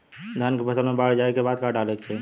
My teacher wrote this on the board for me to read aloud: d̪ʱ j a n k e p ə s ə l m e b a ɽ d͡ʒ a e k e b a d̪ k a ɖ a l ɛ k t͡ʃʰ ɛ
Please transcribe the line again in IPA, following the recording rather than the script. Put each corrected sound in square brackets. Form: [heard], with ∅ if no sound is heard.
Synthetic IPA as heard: d̪ʱ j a n k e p ə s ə l m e b a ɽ d͡ʒ a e k e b a d̪ k a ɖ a l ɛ k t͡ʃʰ ɛ

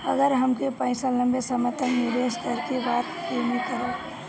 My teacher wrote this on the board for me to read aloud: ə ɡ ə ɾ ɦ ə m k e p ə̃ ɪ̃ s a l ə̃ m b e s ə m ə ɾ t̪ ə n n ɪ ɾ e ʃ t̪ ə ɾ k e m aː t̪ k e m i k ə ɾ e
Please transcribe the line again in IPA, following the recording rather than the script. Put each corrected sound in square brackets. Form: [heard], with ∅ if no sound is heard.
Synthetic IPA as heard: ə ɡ ə ɾ ɦ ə m k e p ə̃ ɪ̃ s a l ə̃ m b e s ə m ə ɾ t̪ ə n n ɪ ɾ e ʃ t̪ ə ɾ k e [b] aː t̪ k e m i k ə ɾ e

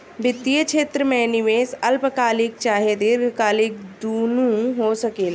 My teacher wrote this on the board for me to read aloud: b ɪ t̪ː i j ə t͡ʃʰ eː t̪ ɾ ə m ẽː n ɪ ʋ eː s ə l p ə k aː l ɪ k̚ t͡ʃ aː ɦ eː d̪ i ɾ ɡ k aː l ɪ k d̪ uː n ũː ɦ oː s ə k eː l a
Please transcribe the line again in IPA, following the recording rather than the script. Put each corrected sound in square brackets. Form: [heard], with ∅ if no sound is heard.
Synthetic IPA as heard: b ɪ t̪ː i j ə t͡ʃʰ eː t̪ ɾ ə m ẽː n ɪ ʋ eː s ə l p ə k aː l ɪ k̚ t͡ʃ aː ɦ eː d̪ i ɾ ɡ k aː l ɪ k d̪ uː n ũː ɦ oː s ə k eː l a

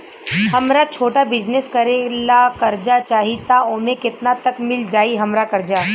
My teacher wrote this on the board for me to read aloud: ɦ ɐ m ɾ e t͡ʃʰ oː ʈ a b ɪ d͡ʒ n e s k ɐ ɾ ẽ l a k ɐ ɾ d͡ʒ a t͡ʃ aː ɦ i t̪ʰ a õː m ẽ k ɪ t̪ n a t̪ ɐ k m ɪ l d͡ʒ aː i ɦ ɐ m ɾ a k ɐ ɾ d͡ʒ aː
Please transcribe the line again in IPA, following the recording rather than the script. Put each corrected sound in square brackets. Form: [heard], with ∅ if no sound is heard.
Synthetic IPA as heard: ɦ ɐ m ɾ [a] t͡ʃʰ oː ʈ a b ɪ d͡ʒ n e s k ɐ ɾ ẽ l a k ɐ ɾ d͡ʒ a t͡ʃ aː ɦ i [t̪] a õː m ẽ k ɪ t̪ n a t̪ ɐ k m ɪ l d͡ʒ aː i ɦ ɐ m ɾ a k ɐ ɾ d͡ʒ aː

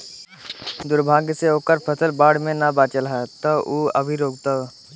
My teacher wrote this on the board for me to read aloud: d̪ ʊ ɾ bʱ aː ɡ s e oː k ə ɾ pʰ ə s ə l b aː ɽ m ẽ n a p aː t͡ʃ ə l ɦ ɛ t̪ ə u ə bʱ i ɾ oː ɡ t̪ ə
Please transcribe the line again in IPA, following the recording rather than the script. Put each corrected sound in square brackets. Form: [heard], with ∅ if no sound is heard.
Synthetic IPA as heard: d̪ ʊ ɾ bʱ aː ɡ s e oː k ə ɾ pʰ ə s ə l b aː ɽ m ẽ n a [b] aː t͡ʃ ə l ɦ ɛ t̪ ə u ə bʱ i ɾ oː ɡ t̪ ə

